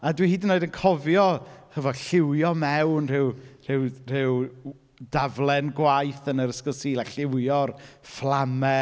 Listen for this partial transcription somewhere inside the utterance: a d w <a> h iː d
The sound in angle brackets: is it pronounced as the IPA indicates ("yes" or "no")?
no